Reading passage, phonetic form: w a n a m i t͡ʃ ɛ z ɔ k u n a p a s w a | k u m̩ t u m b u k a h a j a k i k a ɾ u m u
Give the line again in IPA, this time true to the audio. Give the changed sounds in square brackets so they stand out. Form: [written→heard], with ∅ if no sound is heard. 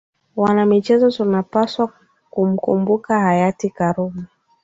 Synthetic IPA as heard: w a n a m i t͡ʃ ɛ z ɔ [k→t] u n a p a s w a | k u m̩ [t→k] u m b u k a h a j a [k→t] i k a ɾ u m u

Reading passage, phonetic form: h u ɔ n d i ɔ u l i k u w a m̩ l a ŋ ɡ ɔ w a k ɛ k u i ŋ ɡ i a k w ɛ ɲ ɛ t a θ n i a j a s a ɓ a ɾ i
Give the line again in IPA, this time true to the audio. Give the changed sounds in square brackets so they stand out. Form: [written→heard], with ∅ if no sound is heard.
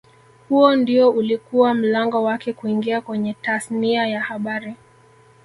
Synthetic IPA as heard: h u ɔ n d i ɔ u l i k u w a m̩ l a ŋ ɡ ɔ w a k ɛ k u i ŋ ɡ i a k w ɛ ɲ ɛ t a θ n i a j a [s→h] a ɓ a ɾ i

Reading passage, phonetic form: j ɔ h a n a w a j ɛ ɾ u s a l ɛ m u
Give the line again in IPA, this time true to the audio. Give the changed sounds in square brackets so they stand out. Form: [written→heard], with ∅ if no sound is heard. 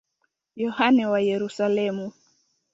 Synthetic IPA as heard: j ɔ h a n [a→ɛ] w a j ɛ ɾ u s a l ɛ m u

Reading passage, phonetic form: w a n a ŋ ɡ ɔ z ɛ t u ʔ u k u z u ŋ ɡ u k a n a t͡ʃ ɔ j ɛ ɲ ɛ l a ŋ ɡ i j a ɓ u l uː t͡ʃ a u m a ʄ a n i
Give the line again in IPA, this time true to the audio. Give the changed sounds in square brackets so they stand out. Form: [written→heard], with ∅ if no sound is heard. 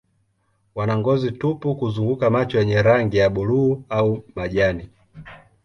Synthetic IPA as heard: w a n a ŋ ɡ ɔ z [ɛ→i] t u [ʔ→p] u k u z u ŋ ɡ u k a [n→m] a t͡ʃ ɔ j ɛ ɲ ɛ [l→ɾ] a ŋ ɡ i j a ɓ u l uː [t͡ʃ→∅] a u m a ʄ a n i

